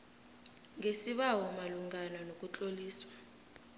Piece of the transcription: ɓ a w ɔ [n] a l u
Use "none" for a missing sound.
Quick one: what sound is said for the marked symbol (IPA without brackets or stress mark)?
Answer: m